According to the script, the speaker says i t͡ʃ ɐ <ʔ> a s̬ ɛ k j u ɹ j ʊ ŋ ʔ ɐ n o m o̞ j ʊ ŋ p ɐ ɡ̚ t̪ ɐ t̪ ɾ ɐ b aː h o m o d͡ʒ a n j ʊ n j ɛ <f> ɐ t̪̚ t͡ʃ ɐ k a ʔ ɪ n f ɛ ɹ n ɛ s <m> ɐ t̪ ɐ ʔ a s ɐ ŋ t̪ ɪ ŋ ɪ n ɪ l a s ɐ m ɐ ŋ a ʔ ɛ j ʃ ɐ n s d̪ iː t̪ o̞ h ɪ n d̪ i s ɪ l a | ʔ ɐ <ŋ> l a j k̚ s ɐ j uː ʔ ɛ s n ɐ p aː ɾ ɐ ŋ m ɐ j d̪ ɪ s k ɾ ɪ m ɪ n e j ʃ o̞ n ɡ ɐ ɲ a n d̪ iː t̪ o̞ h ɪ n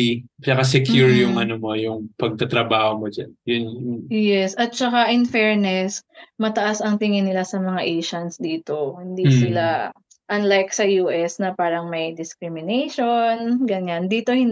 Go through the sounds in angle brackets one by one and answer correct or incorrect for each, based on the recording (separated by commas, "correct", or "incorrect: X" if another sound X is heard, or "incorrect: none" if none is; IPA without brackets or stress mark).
incorrect: k, incorrect: s, correct, incorrect: n